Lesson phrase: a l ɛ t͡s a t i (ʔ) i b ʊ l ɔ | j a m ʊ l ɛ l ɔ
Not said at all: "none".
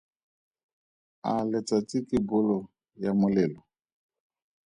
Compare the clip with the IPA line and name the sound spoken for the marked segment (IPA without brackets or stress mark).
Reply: k